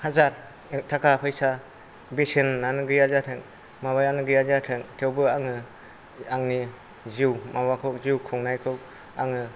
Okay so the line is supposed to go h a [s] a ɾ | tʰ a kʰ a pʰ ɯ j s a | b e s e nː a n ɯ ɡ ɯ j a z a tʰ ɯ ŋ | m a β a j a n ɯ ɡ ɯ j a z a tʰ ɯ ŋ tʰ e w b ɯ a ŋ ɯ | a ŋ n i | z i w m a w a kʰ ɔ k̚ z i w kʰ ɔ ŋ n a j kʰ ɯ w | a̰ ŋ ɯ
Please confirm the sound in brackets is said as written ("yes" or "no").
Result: no